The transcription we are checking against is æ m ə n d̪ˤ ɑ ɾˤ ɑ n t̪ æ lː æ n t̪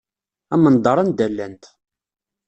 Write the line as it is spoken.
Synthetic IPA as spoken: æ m ə n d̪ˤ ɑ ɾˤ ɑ n d̪ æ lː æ n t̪

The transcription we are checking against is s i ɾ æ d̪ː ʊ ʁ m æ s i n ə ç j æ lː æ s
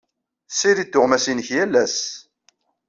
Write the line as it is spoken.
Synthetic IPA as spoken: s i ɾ i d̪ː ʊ ʁ m æ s i n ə ç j æ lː æ s

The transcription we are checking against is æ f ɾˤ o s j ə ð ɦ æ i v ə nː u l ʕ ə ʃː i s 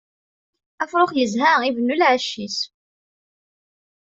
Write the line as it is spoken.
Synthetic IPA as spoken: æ f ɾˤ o χ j ə z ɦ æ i v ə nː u l ʕ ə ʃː i s

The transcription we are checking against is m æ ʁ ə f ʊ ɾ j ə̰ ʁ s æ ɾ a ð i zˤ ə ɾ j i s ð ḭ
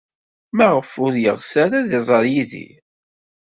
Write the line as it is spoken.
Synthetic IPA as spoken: m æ ʁ ə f ʊ ɾ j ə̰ ʁ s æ ɾ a ð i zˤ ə ɾ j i ð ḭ

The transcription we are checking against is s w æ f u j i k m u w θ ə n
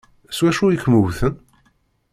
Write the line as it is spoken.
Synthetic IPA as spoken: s w æ ʃ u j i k m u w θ ə n

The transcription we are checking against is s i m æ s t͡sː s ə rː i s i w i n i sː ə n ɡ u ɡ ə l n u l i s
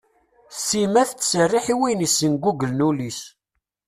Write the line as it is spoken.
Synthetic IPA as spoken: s i m æ θ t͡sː s ə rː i ħ i w i n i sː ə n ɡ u ɡ ə l n u l i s

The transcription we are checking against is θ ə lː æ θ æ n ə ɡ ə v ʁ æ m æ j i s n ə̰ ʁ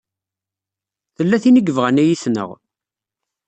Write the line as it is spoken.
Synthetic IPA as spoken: θ ə lː æ θ i n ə ɡ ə v ʁ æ n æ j i s n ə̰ ʁ

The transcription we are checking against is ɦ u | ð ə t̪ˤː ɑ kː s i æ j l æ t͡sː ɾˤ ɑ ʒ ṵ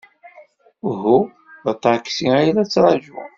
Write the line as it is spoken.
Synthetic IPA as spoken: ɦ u | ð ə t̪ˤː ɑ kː s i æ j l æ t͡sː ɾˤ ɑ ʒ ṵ

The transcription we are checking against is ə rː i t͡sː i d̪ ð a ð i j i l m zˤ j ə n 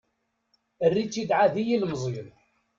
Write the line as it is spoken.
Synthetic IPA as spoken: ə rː i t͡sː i d̪ ʕ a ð i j i l m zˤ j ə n

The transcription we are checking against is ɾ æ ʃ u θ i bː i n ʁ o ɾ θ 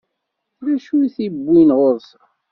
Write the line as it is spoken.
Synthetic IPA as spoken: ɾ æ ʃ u θ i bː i n ʁ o ɾ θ

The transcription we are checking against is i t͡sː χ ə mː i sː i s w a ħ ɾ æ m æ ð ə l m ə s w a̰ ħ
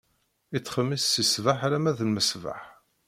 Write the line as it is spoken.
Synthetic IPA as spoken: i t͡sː χ ə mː i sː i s v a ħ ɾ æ m æ ð ə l m ə s v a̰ ħ

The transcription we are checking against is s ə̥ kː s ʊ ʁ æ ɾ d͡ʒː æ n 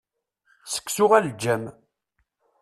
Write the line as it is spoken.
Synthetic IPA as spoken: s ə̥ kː s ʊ ʁ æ l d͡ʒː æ m

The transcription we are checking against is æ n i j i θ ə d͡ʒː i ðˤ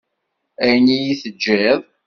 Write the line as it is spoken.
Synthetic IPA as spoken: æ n i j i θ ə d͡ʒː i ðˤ

